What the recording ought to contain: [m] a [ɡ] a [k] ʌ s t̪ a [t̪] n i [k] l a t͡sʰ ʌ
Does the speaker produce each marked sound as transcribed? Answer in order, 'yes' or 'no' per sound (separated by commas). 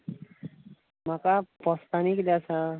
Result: yes, no, no, no, yes